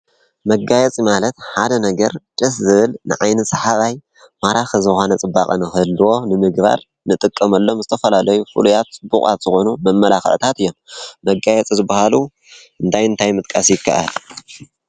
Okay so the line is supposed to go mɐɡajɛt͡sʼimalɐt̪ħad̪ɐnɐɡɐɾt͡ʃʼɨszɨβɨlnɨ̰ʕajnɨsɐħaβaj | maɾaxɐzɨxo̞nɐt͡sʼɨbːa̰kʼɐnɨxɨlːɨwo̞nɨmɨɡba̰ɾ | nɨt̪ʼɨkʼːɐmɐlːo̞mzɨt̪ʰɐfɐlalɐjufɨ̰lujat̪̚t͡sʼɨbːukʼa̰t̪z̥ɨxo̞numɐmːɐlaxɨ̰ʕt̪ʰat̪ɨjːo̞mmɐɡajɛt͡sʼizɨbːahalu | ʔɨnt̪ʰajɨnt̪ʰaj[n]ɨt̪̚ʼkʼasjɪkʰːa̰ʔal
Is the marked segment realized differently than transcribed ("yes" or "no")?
yes